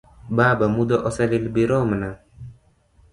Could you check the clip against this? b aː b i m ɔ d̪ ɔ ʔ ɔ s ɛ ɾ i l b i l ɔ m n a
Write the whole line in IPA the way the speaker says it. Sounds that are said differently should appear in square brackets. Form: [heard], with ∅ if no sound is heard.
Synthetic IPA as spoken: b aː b [a] m [u] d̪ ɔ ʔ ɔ s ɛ [l] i l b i [ɾ] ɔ m n a